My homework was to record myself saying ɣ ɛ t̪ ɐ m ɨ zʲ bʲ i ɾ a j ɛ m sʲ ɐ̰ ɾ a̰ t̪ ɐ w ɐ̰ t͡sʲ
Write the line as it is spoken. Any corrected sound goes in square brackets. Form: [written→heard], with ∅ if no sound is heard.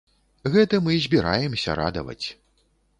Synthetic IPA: ɣ ɛ t̪ ɐ m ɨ zʲ bʲ i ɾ a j ɛ m sʲ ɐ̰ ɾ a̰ [t̪→d̪] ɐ [w→v] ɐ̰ t͡sʲ